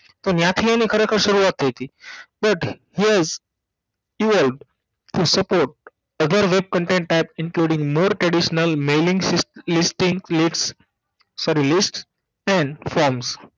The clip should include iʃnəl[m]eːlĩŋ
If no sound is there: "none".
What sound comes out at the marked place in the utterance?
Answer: m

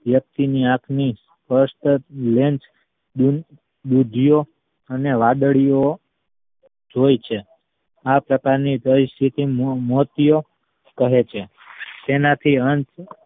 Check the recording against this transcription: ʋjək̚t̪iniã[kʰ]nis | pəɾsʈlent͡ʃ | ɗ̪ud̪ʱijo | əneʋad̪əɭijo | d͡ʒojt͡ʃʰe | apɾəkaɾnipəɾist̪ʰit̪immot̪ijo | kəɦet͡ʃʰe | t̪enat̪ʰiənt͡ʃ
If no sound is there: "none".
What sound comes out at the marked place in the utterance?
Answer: kʰ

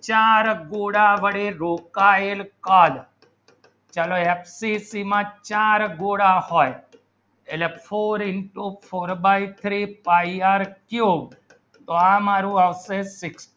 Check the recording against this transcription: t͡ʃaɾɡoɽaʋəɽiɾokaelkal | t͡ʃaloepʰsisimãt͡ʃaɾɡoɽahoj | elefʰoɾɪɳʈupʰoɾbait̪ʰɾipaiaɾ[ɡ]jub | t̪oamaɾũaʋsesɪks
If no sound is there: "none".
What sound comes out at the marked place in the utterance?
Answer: k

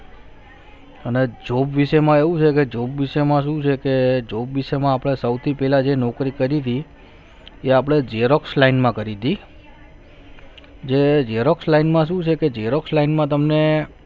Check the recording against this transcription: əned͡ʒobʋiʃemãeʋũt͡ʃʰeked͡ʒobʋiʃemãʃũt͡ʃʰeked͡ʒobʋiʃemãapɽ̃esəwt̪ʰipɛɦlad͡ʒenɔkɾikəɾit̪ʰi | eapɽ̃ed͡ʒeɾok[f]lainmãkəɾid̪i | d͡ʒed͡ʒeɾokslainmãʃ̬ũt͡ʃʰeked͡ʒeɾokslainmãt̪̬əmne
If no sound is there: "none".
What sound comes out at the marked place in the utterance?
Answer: s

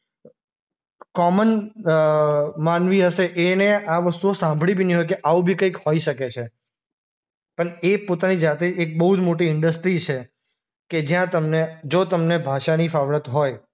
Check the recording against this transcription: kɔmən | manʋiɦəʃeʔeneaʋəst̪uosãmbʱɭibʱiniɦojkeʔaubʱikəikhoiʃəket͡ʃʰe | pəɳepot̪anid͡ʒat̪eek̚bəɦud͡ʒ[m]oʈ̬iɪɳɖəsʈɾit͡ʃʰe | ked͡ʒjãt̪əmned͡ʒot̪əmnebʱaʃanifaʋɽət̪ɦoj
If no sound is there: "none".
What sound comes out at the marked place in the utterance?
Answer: m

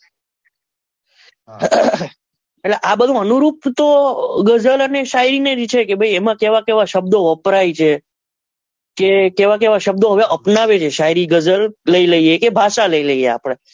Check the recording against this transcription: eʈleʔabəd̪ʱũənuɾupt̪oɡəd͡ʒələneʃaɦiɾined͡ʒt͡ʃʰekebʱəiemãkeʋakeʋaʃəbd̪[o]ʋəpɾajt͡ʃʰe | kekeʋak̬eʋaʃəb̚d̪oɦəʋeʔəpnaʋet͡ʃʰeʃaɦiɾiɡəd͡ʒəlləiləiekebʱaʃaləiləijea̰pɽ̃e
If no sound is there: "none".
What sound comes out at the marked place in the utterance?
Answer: o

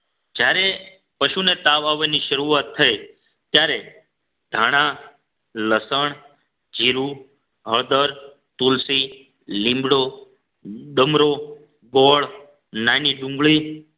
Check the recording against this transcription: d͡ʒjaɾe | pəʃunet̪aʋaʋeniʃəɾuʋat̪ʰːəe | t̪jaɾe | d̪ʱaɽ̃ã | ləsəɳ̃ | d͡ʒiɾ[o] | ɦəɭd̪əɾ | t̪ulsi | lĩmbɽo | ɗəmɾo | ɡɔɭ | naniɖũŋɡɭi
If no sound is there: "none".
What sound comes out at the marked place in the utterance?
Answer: u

